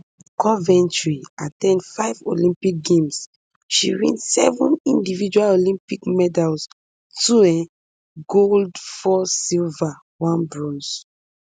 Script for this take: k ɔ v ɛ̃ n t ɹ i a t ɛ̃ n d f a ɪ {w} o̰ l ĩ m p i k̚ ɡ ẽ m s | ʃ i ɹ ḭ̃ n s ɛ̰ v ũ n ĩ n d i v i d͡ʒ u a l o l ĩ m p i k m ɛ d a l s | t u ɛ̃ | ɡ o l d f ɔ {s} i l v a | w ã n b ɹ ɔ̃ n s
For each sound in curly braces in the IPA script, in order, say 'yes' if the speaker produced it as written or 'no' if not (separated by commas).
no, yes